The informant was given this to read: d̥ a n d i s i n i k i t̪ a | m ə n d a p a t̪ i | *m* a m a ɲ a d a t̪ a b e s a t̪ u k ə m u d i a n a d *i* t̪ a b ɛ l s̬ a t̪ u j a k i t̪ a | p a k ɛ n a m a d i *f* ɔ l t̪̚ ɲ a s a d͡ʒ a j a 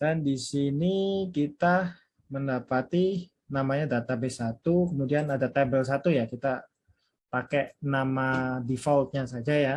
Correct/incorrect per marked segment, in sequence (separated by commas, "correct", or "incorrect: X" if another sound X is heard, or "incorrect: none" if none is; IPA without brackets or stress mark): incorrect: n, incorrect: a, correct